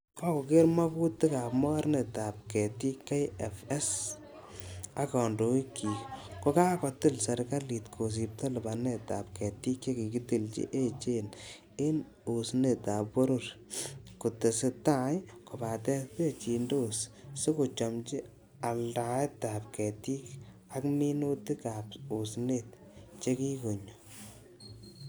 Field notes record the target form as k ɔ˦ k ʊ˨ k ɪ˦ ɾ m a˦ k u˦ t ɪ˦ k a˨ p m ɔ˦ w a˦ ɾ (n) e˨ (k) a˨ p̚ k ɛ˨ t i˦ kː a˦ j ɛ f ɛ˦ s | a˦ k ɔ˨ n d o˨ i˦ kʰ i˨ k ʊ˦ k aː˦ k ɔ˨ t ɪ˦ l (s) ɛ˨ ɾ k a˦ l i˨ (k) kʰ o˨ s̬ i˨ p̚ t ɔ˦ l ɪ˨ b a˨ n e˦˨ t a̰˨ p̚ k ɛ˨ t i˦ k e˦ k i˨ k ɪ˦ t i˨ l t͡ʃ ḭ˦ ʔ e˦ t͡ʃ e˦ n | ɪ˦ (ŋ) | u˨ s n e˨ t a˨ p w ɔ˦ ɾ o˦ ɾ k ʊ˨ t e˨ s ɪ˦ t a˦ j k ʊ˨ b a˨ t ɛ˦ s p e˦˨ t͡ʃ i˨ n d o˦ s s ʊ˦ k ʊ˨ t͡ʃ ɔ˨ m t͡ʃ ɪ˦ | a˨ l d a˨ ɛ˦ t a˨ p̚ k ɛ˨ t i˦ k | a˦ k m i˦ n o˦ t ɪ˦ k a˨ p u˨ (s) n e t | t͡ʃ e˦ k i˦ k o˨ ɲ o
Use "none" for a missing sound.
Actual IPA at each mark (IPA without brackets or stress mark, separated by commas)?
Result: n, t, s, t, n, s